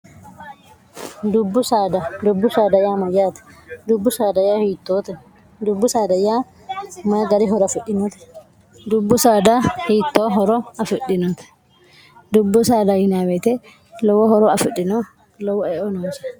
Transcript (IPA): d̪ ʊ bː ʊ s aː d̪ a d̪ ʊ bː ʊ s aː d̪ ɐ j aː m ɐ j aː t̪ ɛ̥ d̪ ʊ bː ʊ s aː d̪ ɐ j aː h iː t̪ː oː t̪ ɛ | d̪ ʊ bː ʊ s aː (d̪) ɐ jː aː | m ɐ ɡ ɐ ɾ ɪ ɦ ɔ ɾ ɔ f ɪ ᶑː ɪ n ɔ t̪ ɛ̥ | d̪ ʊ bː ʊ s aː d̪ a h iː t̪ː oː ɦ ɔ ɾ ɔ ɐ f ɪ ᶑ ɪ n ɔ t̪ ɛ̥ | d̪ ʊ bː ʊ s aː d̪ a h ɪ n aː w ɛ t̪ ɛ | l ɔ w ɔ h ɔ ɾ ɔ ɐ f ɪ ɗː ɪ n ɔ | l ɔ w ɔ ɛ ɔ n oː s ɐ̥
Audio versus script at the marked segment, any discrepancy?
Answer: no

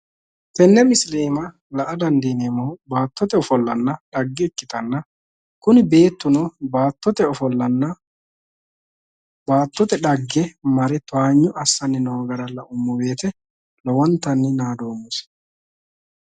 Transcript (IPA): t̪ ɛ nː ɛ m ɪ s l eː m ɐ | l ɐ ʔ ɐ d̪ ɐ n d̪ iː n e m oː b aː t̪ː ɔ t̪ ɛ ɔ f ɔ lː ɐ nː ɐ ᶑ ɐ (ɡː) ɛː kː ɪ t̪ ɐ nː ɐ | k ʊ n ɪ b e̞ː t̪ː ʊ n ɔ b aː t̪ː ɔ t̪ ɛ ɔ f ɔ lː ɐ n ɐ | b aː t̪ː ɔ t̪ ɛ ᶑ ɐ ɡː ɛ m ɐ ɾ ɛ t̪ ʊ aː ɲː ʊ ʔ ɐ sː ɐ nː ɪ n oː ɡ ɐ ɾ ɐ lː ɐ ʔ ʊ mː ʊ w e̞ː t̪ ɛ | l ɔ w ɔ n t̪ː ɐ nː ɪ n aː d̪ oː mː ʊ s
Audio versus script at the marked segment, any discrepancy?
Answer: no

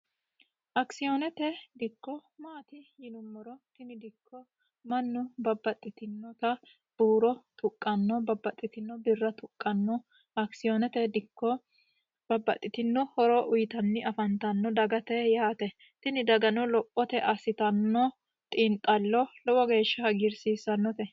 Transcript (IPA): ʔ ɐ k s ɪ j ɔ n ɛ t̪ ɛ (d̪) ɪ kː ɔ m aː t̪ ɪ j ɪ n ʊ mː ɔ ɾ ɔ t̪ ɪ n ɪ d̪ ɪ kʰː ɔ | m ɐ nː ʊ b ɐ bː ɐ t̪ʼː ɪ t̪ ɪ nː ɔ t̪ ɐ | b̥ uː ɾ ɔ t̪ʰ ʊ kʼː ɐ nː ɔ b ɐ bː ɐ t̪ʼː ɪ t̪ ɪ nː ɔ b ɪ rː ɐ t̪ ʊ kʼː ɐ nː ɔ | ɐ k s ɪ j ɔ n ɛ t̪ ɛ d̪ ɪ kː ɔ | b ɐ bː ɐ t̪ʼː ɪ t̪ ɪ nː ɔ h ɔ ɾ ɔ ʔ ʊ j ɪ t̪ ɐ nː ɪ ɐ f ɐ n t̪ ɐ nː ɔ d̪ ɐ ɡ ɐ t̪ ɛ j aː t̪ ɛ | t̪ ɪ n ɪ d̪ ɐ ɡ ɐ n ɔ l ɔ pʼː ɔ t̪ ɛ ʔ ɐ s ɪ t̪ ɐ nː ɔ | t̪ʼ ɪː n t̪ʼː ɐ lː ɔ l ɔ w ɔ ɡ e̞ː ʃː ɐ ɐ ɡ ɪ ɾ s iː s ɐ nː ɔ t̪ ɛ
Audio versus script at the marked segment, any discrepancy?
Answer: no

